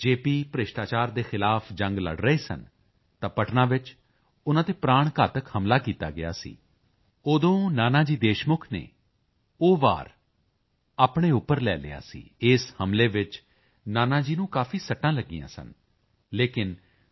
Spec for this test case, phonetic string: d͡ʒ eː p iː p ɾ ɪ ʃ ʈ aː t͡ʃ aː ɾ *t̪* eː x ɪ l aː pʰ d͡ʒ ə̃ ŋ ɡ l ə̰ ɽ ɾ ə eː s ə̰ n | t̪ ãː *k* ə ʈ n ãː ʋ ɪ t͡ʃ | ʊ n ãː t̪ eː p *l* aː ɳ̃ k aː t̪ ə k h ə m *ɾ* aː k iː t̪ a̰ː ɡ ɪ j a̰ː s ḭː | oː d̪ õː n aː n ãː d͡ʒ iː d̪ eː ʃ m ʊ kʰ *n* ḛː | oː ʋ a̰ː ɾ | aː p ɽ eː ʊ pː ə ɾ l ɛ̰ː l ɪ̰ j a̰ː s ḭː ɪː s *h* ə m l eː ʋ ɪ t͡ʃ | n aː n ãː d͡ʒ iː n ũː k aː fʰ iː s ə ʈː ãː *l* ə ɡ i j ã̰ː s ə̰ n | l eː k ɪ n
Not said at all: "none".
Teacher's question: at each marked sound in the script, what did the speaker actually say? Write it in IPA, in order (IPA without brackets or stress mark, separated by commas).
d̪, p, ɾ, l, n, h, l